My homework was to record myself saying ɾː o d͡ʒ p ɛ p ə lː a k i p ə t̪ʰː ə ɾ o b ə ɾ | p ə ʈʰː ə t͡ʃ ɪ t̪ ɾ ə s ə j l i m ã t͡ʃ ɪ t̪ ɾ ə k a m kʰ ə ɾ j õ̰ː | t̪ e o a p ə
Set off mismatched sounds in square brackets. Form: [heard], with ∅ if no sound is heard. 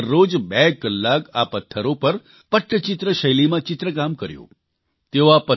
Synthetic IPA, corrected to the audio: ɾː o d͡ʒ [b] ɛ [k] ə lː a k [a] p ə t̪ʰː ə ɾ o [p] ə ɾ | p ə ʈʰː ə t͡ʃ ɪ t̪ ɾ ə [ʃ] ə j l i m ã t͡ʃ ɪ t̪ ɾ ə k a m [k] ə ɾ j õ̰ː | t̪ e o a p ə